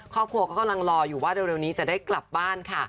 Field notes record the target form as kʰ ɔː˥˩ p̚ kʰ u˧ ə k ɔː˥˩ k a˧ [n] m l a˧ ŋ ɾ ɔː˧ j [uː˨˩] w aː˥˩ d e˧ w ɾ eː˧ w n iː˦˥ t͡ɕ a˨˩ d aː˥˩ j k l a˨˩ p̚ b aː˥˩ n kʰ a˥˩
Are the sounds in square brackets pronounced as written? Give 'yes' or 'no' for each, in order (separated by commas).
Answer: no, yes